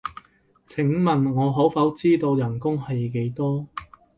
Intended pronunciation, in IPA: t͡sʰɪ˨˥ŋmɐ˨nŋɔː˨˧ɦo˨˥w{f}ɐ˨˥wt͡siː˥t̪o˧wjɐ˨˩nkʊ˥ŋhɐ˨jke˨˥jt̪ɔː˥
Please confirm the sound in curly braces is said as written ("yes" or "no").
yes